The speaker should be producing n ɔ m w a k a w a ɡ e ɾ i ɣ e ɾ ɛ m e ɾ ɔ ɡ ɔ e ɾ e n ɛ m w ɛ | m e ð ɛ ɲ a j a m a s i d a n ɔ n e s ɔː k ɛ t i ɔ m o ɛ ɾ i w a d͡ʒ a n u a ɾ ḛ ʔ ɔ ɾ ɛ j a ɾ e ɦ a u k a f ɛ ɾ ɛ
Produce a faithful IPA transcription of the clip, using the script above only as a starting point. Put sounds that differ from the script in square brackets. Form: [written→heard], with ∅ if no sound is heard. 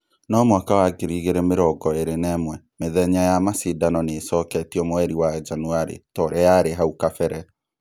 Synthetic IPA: n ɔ m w a k a w a ɡ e ɾ i ɣ e ɾ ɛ m e ɾ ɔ ɡ ɔ e ɾ e n ɛ m w ɛ | m e ð ɛ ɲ a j a m a s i d a n ɔ n e s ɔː k ɛ t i ɔ m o ɛ ɾ i w a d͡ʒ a n u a ɾ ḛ [ʔ→t] ɔ ɾ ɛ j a ɾ e ɦ a u k a f ɛ ɾ ɛ

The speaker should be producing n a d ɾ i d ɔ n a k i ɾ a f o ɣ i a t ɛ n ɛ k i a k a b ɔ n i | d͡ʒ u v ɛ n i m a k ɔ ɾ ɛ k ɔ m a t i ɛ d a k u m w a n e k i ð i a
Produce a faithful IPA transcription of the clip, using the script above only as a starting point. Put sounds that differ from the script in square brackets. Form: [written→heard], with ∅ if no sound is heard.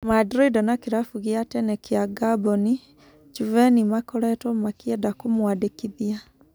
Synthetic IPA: [n→m] a d ɾ i d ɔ n a k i ɾ a f [o→u] ɣ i a t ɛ n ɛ k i a [k→ɡ] a b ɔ n i | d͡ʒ u v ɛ n i m a k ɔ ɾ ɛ [k→t] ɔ m a [t→k] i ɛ d a k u m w a [n→d] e k i ð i a

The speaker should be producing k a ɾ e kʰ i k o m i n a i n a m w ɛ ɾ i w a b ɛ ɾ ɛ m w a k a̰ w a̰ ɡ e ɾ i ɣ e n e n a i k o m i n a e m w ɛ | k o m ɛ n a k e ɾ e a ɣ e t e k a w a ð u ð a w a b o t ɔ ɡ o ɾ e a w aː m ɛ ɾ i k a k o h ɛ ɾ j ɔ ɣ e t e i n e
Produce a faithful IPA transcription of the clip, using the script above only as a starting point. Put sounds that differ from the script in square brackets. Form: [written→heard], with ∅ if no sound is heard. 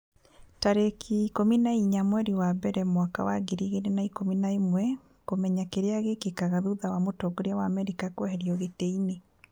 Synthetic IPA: [k→t] a ɾ e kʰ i k o m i n a i [n→ɲ] a m w ɛ ɾ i w a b ɛ ɾ ɛ m w a k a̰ w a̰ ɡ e ɾ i ɣ e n e n a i k o m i n a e m w ɛ | k o m ɛ [n→ɲ] a k e ɾ e a ɣ e [t→k] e k a [w→ɣ] a ð u ð a w a [b→m] o t ɔ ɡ o ɾ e a w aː m ɛ ɾ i k a k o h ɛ ɾ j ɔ ɣ e t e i n e

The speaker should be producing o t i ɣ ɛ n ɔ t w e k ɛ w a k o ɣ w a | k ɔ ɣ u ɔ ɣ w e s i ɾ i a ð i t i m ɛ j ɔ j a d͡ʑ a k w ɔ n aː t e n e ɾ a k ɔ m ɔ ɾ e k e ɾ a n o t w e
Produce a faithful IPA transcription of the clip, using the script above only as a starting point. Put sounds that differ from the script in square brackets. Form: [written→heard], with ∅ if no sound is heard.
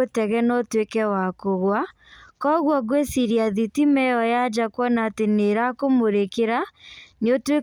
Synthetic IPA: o t [i→ɛ] ɣ ɛ n ɔ t w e k ɛ w a k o ɣ w a | k ɔ ɣ [u→w] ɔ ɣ w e s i ɾ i a ð i t i m ɛ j ɔ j a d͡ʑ a k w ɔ n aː t e n e ɾ a k [ɔ→o] m [ɔ→o] ɾ e k e ɾ a n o t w e

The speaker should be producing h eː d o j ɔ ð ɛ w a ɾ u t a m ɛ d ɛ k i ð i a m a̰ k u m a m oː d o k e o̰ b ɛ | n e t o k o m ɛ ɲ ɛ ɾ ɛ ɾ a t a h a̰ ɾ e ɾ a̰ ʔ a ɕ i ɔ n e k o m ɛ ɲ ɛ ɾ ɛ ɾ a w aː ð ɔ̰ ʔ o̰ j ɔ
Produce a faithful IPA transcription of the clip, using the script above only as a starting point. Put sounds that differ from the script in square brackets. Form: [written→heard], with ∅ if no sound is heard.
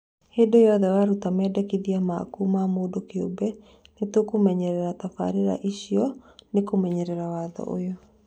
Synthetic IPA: h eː d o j ɔ ð ɛ w a ɾ u t a m ɛ d ɛ k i ð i a m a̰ k u m a m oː d o k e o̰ b ɛ | n e t o k o m ɛ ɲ ɛ ɾ ɛ ɾ a t a [h→f] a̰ ɾ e ɾ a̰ ʔ [a→i] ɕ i ɔ n e k o m ɛ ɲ ɛ ɾ ɛ ɾ a w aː ð ɔ̰ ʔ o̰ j ɔ

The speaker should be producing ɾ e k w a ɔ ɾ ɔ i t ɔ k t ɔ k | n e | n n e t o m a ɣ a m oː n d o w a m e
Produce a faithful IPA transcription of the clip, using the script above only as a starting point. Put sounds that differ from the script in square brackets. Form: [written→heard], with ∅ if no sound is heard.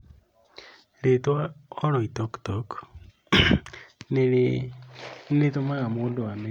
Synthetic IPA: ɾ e [k→t] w a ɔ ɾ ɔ i t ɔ k t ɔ k | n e | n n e t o m a ɣ a m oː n d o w a m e

